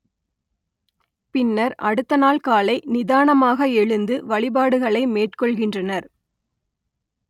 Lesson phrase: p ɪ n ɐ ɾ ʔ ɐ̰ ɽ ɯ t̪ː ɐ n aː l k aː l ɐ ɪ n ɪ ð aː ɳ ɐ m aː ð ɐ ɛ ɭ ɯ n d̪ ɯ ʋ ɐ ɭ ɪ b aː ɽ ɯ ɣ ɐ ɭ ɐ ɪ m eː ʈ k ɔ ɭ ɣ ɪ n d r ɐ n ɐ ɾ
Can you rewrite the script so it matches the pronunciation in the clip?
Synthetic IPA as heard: p ɪ nː ɐ ɾ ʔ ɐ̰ ɽ ɯ t̪ː ɐ n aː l k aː l ɐ ɪ n ɪ ð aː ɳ ɐ m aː ɣ ɐ ɛ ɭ ɯ n d̪ ɯ ʋ ɐ ɭ ɪ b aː ɽ ɯ ɣ ɐ ɭ ɐ ɪ m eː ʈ k ɔ ɭ ɣ ɪ n d r ɐ n ɐ ɾ

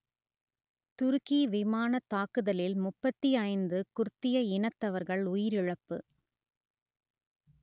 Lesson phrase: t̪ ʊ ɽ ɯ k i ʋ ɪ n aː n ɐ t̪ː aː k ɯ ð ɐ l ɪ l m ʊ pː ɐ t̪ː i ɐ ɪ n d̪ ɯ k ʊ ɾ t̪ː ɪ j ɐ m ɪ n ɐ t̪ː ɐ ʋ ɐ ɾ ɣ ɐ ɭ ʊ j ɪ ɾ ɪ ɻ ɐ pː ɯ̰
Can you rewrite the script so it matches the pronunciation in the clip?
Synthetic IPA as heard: t̪ ʊ ɾ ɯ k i ʋ ɪ m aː n ɐ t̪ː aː k ɯ ð ɐ l ɪ l m ʊ pː ɐ t̪ː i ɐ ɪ n d̪ ɯ k ʊ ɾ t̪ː ɪ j ɐ ɪ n ɐ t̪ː ɐ ʋ ɐ ɾ ɣ ɐ ɭ ʊ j ɪ ɾ ɪ ɻ ɐ pː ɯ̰

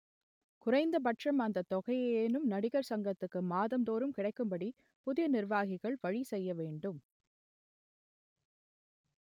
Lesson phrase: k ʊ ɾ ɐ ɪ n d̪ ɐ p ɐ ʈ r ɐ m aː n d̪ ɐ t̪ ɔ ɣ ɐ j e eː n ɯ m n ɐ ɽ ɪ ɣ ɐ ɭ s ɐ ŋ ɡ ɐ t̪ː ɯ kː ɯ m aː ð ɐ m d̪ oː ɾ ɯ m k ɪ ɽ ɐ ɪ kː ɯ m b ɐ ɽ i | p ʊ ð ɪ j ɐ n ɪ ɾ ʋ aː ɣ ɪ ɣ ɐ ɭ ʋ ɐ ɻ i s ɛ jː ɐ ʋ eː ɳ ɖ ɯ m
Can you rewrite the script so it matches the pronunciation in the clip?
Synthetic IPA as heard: k ʊ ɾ ɐ ɪ n d̪ ɐ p ɐ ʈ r ɐ m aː n d̪ ɐ t̪ ɔ ɣ ɐ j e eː n ɯ m n ɐ ɽ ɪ ɣ ɐ ɾ s ɐ ŋ ɡ ɐ t̪ː ɯ kː ɯ m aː ð ɐ m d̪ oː ɾ ɯ m k ɪ ɽ ɐ ɪ kː ɯ m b ɐ ɽ i | p ʊ ð ɪ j ɐ n ɪ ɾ ʋ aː ɣ ɪ ɣ ɐ ɭ ʋ ɐ ɻ i s ɛ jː ɐ ʋ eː ɳ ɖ ɯ m

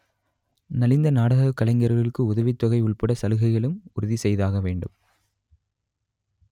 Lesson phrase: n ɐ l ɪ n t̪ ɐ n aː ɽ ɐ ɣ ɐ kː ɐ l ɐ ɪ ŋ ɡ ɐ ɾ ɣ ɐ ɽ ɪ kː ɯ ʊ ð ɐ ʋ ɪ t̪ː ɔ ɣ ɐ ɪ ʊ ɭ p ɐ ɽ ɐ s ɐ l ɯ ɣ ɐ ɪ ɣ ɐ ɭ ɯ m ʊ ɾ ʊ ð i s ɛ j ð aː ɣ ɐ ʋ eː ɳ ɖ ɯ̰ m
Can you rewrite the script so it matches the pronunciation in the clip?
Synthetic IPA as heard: n ɐ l ɪ n d̪ ɐ n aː ɽ ɐ ɣ ɐ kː ɐ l ɐ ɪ ŋ ɡ ɐ ɾ ɣ ɐ ɭ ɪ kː ɯ ʊ ð ɐ ʋ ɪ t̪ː ɔ ɣ ɐ ɪ ʊ ɭ p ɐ ɽ ɐ s ɐ l ɯ ɣ ɐ ɪ ɣ ɐ ɭ ɯ m ʊ ɾ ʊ ð i s ɛ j ð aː ɣ ɐ ʋ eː ɳ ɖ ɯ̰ m

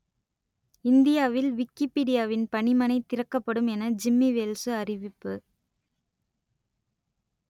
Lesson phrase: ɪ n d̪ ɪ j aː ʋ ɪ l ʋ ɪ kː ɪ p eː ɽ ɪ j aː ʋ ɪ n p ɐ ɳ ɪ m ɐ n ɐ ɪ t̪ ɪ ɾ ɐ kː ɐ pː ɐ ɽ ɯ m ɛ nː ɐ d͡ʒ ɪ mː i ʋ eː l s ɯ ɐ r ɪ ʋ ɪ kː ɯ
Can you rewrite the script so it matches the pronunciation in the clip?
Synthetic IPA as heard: ɪ n d̪ ɪ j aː ʋ ɪ l ʋ ɪ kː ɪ p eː ɽ ɪ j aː ʋ ɪ n p ɐ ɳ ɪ m ɐ n ɐ ɪ t̪ ɪ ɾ ɐ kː ɐ pː ɐ ɽ ɯ m ɛ n ɐ d͡ʒ ɪ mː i ʋ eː l s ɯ ɐ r ɪ ʋ ɪ pː ɯ

